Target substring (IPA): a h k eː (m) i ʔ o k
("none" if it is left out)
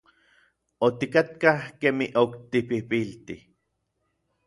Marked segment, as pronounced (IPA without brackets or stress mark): m